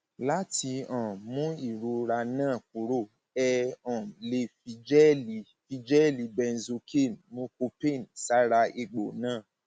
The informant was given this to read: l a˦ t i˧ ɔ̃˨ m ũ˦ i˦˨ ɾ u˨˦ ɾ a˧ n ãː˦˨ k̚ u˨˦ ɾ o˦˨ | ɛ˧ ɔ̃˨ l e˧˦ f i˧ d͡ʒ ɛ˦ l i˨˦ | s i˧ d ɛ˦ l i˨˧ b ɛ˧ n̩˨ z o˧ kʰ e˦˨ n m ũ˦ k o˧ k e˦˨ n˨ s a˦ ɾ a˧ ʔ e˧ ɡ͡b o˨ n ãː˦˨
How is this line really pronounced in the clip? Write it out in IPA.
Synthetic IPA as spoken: l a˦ t i˧ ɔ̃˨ m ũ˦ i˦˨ ɾ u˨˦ ɾ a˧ n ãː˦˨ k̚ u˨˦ ɾ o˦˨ | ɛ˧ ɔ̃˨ l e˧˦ f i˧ d͡ʒ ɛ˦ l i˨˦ | f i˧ d͡ʒ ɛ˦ l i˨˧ b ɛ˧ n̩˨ z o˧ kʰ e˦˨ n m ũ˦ k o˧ p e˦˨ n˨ s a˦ ɾ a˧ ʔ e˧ ɡ͡b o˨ n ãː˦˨